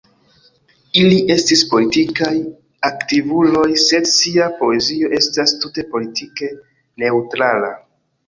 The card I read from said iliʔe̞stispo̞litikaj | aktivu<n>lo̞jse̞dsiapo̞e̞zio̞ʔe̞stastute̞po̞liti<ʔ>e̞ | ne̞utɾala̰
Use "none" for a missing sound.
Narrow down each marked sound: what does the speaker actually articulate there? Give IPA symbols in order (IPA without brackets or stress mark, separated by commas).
none, k